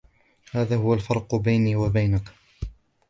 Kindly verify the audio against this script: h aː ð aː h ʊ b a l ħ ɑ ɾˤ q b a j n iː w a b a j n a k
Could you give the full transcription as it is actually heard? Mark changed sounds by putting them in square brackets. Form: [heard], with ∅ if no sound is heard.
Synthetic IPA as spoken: h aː ð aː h ʊ [w] a l [f] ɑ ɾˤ q b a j n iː w a b a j n a k